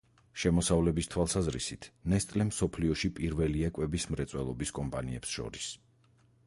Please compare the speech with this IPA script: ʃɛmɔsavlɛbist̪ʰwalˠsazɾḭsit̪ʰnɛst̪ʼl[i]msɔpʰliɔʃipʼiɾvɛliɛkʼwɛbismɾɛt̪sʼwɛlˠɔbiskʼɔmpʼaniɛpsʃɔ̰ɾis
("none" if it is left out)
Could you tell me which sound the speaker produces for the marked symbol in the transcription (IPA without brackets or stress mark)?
ɛ